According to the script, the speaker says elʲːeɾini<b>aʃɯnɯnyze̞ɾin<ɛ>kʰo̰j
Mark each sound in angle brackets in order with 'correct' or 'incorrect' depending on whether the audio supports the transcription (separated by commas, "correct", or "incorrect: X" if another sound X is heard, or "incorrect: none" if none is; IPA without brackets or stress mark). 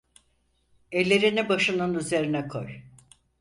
correct, correct